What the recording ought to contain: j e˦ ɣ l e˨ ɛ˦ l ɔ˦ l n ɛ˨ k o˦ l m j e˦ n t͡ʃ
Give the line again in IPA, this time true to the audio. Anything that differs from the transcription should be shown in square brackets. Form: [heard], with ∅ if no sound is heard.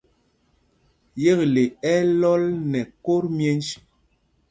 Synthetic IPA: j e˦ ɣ l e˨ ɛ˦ l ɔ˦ l n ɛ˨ k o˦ [ɾ] m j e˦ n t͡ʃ